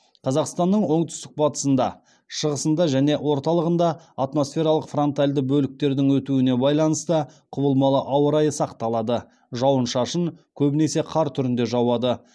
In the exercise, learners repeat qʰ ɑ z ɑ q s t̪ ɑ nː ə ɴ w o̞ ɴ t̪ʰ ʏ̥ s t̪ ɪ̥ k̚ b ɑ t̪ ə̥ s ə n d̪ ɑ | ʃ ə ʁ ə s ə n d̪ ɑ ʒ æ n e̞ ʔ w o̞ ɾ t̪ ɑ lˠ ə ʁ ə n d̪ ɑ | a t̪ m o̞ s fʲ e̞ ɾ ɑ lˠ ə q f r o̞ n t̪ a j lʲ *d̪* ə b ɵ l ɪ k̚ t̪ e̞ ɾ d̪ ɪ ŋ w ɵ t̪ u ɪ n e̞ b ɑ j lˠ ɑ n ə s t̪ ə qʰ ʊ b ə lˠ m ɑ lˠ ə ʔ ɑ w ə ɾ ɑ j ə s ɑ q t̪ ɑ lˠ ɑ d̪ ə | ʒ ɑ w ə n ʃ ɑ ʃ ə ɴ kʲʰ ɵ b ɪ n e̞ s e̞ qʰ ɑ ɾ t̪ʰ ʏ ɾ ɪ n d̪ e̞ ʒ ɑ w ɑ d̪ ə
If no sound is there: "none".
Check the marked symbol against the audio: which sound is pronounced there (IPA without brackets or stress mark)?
d̪